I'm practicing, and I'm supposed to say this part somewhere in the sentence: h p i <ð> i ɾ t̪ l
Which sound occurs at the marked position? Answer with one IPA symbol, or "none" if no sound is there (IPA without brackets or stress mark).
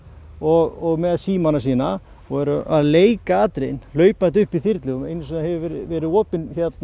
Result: θ